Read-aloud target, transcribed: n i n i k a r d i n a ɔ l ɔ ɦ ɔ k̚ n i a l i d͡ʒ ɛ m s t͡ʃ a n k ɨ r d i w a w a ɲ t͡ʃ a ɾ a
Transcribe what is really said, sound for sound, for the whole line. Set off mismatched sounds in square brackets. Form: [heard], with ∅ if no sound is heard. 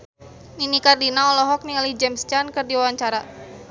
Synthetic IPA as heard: n i n i k a r d i n a ɔ l ɔ ɦ ɔ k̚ n i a l i d͡ʒ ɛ m s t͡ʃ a n k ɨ r d i w a w a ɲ t͡ʃ a ɾ a